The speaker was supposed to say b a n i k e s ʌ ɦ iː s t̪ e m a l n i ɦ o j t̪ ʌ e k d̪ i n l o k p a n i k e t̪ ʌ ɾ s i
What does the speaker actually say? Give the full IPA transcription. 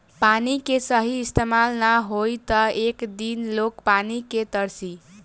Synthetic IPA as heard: p a n i k e s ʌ ɦ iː s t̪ e m a l n a ɦ o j t̪ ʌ e k d̪ i n l o k p a n i k e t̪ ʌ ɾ s i

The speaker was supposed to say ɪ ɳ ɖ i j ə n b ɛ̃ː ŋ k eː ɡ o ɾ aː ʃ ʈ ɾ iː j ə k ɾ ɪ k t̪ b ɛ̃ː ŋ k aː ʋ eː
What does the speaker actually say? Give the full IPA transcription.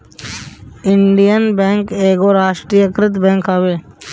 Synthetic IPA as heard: ɪ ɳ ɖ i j ə n b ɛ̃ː ŋ k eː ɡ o ɾ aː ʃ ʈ ɾ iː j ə k ɾ ɪ t̪ b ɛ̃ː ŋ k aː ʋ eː

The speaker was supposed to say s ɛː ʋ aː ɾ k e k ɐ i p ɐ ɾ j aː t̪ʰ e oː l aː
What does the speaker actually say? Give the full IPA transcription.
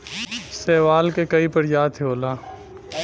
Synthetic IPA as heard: s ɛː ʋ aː l k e k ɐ i p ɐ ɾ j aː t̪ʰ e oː l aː

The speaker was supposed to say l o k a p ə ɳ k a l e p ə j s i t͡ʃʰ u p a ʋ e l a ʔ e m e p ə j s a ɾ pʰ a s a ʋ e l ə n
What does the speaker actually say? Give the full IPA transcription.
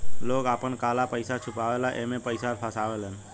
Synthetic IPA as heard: l o k a p ə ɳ k a l a p ə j s a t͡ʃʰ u p a ʋ e l a ʔ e m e p ə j s a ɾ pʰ a s a ʋ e l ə n

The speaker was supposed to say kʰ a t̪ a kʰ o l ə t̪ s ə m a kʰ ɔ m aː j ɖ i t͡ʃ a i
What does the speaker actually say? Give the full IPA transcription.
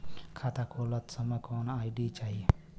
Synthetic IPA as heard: kʰ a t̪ a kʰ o l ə t̪ s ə m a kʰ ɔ n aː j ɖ i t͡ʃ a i

